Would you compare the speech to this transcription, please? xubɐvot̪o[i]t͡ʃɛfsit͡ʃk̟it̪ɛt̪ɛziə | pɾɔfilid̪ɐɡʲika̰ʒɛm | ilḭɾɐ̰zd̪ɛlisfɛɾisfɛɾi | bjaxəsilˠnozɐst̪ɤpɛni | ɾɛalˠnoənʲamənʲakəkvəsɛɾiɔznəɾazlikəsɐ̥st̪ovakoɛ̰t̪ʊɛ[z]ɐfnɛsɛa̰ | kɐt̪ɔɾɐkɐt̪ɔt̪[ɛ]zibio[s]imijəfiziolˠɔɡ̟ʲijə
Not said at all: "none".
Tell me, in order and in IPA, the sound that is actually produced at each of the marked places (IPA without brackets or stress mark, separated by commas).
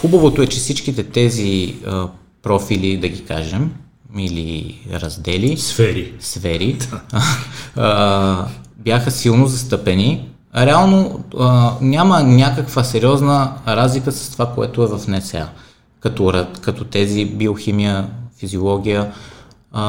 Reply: ɛ, v, ɛ, x